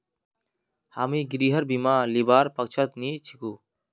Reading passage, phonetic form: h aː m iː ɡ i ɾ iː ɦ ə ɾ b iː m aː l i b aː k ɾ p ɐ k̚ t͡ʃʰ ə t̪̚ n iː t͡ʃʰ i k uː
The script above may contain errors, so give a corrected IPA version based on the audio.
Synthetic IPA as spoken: h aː m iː ɡ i ɾ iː ɦ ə ɾ b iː m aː l i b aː ɾ p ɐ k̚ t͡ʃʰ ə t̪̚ n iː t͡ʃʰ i k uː

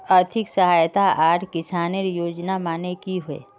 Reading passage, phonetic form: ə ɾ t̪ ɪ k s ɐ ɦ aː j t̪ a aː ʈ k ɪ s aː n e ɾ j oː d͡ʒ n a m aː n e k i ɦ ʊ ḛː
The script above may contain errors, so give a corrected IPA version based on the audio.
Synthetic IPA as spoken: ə ɾ t̪ʰ ɪ k s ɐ ɦ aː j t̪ a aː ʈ k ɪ s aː n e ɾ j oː d͡ʒ n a m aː n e k i ɦ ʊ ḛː

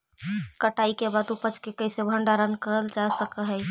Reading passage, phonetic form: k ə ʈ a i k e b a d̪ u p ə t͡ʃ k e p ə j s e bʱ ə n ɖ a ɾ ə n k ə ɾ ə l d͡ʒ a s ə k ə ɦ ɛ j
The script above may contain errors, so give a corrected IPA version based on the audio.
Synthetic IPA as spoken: k ə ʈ a i k e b a d̪ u p ə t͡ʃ k e k ə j s e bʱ ə ɳ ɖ a ɾ ə n k ə ɾ ə l d͡ʒ a s ə k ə ɦ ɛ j

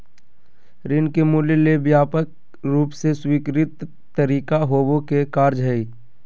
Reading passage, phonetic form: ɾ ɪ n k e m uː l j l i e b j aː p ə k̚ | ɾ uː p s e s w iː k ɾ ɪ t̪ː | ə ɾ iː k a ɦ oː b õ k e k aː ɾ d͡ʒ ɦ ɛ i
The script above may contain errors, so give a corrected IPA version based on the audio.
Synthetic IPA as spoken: ɾ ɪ n k e m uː l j l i e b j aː p ə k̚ | ɾ uː p s e s w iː k ɾ ɪ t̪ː | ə ɾ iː k a ɦ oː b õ k e k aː ɾ d͡ʒ ɦ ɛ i

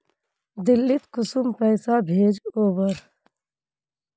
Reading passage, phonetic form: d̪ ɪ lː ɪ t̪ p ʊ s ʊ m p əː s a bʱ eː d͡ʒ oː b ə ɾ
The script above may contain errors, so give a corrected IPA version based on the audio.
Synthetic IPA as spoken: d̪ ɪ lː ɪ t̪ k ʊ s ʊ m p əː s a bʱ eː d͡ʒ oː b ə ɾ

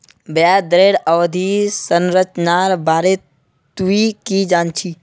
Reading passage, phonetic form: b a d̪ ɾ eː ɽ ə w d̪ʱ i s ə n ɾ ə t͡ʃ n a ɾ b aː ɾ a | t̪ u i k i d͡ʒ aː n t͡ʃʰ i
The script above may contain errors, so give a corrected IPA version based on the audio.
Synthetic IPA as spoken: b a d̪ ɾ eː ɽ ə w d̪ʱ i s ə n ɾ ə t͡ʃ n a ɾ b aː ɾ e | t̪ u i k i d͡ʒ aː n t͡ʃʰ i

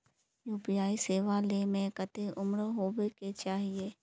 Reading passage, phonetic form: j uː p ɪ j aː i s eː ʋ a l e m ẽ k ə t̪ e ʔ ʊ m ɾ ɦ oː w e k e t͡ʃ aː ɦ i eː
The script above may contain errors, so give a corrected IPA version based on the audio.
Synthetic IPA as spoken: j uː p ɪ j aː i s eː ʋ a l e m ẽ k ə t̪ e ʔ ʊ m ɾ ɦ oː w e k e t͡ʃ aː ɦ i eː

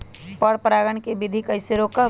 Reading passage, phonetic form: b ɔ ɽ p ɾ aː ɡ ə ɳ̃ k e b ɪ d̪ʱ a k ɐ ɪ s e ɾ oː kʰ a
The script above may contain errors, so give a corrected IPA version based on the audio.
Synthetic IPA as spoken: p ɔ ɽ p ɾ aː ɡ ə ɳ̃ k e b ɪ d̪ʱ i k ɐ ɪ s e ɾ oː k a

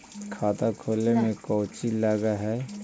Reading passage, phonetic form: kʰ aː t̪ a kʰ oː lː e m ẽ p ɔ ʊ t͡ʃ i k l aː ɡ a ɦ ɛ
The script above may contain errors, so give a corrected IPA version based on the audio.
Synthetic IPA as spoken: kʰ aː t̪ a kʰ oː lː e m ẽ k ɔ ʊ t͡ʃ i l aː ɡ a ɦ ɛ

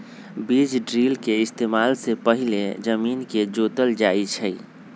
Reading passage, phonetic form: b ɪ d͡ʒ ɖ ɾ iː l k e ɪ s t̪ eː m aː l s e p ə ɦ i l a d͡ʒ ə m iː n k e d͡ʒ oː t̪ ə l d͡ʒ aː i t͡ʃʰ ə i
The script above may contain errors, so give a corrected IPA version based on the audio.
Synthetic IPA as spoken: b i d͡ʒ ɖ ɾ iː l k e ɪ s t̪ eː m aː l s e p ə ɦ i l e d͡ʒ ə m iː n k e d͡ʒ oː t̪ ə l d͡ʒ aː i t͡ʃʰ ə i

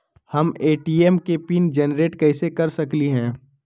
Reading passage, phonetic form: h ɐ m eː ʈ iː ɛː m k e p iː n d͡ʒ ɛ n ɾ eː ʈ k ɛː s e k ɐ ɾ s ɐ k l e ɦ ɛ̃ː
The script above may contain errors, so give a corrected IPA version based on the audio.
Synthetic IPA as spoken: h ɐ m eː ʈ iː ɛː m k e p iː n d͡ʒ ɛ n ɾ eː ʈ k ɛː s e k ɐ ɾ s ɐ k l i ɦ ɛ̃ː

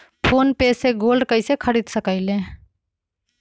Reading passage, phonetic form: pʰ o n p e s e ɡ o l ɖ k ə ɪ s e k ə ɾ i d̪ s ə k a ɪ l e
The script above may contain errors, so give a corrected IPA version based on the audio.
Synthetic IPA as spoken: pʰ o n p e s e ɡ o l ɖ k ə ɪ s e kʰ ə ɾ i d̪ s ə k ə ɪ l e

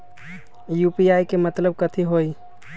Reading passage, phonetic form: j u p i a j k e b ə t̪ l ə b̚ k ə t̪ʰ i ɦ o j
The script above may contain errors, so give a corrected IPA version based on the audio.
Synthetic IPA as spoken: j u p i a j k e m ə t̪ l ə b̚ k ə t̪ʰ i ɦ o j

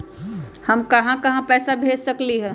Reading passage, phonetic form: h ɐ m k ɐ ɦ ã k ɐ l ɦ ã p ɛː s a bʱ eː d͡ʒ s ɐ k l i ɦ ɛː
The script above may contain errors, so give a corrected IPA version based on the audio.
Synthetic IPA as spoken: h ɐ m k ɐ ɦ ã k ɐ ɦ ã p ɛː s a bʱ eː d͡ʒ s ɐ k l i ɦ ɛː

